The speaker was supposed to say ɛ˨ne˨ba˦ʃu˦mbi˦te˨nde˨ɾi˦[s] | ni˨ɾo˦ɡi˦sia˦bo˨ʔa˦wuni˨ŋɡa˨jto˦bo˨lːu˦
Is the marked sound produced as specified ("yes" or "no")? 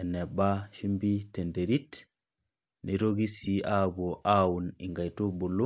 no